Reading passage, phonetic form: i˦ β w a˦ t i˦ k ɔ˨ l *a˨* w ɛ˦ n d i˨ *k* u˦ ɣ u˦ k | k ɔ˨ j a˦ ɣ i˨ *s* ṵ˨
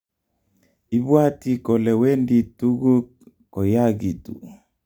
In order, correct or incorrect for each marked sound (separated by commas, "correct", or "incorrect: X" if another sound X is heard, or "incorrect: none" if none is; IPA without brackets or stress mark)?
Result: incorrect: ɛ˨, incorrect: t, incorrect: t